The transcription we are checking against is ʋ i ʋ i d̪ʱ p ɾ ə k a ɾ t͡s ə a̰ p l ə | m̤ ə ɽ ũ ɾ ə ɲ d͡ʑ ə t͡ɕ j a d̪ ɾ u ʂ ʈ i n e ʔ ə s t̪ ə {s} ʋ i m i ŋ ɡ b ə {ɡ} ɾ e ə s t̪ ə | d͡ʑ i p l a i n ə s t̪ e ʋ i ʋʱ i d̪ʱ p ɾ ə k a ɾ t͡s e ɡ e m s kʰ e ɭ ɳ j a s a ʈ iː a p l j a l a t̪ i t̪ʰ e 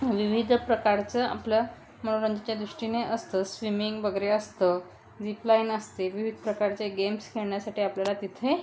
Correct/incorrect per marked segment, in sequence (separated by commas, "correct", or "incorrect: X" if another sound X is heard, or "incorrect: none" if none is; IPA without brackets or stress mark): correct, correct